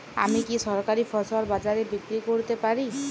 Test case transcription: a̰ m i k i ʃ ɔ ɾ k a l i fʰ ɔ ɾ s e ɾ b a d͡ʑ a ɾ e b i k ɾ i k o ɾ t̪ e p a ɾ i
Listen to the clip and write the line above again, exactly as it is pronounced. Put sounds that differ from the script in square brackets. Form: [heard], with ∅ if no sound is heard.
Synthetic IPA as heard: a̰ m i k i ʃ ɔ ɾ k a [ɾ] i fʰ ɔ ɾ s [a] ɾ b a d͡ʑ a ɾ e b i k ɾ i k o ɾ t̪ e p a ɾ i